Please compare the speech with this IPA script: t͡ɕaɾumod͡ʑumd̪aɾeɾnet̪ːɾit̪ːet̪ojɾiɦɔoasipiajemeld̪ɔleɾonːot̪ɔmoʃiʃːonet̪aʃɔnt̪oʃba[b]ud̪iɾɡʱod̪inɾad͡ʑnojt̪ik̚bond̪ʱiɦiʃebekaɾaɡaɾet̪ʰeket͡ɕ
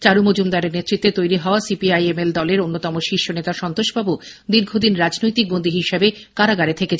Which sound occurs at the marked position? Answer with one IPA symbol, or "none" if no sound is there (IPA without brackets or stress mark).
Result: b